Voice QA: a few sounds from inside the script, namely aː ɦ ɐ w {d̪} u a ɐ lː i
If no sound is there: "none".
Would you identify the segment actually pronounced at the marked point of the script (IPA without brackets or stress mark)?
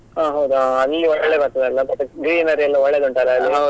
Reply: d̪